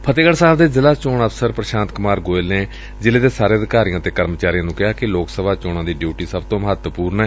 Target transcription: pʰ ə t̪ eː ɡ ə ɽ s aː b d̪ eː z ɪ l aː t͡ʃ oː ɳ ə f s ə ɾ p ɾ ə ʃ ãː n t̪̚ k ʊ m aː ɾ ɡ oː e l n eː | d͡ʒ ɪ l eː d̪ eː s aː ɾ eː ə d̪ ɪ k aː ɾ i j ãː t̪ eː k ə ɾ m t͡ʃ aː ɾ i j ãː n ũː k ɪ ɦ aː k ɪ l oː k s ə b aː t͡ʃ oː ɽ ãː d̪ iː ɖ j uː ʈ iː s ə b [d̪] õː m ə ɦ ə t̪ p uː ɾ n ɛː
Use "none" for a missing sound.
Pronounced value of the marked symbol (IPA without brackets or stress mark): t̪